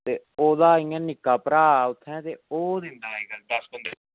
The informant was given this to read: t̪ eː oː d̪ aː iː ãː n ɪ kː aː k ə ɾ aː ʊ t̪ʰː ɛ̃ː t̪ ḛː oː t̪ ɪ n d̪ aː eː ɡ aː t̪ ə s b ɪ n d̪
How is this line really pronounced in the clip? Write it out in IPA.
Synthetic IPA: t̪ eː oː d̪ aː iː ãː n ɪ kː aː p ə ɾ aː ʊ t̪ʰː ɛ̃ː t̪ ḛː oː d̪ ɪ n d̪ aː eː ɡ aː d̪ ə s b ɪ n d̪